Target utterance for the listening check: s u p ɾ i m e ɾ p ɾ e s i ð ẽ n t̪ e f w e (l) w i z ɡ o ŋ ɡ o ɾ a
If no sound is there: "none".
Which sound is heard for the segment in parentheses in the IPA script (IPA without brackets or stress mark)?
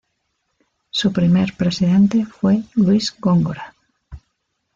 l